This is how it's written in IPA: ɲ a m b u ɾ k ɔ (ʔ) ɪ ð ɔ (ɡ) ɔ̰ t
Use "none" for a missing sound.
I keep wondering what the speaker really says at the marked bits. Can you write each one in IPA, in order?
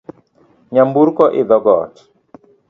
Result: ʔ, ɡ

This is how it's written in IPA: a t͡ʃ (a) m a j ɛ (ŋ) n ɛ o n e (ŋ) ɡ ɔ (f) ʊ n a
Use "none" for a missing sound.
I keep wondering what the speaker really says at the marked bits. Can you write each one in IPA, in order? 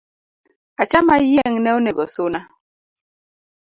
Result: a, ŋ, none, s

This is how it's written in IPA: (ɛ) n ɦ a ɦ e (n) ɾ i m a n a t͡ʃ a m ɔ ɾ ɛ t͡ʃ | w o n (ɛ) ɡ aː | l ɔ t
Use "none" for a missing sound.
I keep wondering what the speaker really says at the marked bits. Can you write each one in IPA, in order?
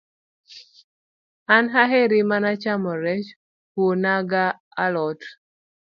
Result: a, none, a

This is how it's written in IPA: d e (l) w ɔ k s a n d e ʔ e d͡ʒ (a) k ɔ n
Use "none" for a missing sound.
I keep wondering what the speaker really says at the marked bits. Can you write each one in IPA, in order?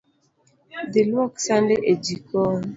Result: l, i

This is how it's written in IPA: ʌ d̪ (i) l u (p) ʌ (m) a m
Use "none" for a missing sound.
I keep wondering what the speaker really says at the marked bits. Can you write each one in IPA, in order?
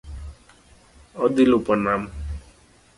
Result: i, p, n

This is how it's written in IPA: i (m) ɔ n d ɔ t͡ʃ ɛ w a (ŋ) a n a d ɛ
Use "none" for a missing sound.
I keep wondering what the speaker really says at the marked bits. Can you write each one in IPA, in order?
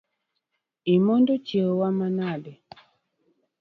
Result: m, m

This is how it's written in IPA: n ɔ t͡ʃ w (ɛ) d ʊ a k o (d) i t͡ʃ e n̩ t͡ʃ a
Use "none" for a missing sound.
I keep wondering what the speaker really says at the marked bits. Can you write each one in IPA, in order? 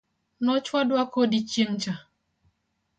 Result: a, d

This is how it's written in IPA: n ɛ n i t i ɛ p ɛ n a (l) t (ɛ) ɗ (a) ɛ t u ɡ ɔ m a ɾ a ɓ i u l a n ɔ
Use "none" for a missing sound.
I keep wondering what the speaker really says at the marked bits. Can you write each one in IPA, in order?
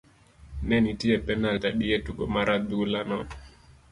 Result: l, a, i

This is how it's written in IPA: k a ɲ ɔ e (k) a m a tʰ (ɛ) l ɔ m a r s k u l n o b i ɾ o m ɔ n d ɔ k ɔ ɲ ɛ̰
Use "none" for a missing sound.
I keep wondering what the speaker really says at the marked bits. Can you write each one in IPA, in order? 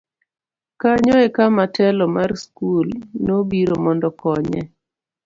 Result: k, ɛ

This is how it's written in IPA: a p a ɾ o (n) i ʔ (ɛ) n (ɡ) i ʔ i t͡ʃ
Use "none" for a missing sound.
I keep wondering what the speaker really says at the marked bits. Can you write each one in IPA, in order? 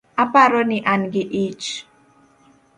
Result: n, a, ɡ

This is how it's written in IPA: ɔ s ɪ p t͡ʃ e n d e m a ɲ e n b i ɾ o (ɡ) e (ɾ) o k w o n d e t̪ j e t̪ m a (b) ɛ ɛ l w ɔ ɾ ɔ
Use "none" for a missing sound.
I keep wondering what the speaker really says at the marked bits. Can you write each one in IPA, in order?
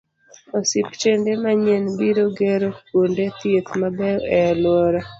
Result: ɡ, ɾ, b

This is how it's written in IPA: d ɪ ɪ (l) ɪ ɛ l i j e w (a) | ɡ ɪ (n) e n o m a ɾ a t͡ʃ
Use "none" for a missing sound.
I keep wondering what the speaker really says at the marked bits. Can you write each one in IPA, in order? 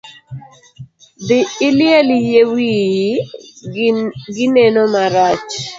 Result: l, i, n

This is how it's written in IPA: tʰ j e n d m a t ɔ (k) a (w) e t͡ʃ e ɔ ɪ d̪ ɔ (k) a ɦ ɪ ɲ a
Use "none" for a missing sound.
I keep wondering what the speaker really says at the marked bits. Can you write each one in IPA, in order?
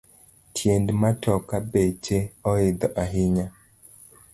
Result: k, b, ʔ

